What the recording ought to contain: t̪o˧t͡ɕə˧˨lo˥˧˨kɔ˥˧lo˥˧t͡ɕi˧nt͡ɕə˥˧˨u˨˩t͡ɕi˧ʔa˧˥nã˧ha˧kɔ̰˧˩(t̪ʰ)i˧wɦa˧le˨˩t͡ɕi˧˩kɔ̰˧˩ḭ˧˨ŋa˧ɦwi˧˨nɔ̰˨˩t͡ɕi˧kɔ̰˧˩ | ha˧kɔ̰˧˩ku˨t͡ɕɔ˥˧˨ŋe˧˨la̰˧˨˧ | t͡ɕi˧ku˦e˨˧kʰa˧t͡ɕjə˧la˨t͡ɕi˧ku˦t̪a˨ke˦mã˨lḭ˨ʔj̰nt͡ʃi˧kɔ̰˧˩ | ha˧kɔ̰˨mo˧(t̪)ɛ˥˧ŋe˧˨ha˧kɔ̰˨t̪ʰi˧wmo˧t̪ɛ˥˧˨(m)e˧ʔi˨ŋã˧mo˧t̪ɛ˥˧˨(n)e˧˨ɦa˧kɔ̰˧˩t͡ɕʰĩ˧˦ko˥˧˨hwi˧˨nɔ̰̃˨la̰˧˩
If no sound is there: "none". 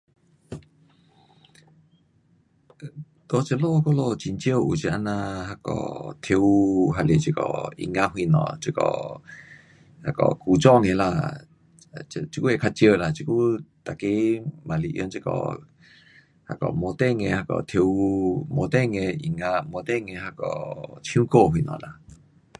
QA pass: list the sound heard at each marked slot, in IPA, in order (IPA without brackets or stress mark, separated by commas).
t̪ʰ, t̪, ŋ, ŋ